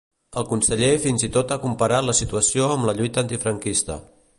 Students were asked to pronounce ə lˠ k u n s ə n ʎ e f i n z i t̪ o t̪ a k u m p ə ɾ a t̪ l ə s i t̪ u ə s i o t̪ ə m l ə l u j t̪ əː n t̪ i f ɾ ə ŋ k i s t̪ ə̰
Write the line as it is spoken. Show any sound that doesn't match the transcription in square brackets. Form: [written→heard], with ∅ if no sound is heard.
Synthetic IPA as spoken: ə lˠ k u n s ə [n→∅] ʎ e f i n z i t̪ o t̪ a k u m p ə ɾ a t̪ l ə s i t̪ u ə s i o [t̪→∅] ə m l ə [l→ʎ] u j t̪ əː n t̪ i f ɾ ə ŋ k i s t̪ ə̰